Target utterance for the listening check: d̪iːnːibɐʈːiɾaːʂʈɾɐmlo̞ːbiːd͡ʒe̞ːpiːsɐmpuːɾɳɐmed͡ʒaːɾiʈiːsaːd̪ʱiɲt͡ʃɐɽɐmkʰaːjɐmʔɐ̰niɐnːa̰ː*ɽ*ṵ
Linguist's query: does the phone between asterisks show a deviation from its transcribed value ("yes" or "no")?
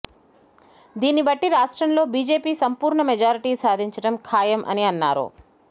yes